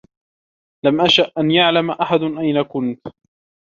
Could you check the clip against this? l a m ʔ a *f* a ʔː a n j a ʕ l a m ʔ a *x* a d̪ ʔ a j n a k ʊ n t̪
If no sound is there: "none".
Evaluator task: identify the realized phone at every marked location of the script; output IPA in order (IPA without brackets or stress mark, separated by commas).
ʃ, ħ